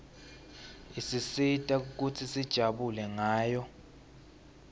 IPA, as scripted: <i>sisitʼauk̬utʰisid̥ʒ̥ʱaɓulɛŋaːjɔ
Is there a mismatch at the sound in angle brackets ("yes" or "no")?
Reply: no